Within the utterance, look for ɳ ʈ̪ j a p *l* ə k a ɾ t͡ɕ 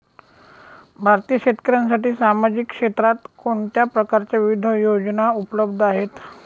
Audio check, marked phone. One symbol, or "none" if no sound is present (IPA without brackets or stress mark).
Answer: ɾ